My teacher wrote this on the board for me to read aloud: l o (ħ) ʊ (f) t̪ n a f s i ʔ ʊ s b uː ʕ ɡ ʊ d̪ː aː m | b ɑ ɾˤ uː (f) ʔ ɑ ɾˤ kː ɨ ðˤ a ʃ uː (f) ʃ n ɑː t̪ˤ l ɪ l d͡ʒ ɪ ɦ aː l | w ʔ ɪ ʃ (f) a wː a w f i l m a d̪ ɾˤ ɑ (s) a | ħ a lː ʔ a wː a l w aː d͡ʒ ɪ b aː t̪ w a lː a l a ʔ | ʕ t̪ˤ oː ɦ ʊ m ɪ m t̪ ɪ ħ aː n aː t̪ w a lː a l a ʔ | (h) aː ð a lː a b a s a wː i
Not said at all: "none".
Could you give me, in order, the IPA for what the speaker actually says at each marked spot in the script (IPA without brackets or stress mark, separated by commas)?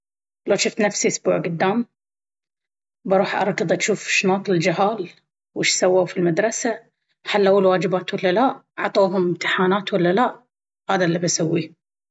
ʃ, f, ħ, f, s, s, h